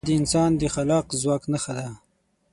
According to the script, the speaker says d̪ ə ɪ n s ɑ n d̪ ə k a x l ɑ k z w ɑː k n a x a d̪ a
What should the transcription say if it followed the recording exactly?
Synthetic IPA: d̪ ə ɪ n s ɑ n d̪ ə x a l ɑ q z w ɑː k n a x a d̪ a